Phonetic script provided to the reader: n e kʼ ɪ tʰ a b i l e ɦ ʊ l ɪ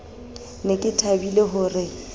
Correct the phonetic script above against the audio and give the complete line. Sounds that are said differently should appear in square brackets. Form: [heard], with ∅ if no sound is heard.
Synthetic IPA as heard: n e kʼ ɪ tʰ a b i l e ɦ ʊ [r] ɪ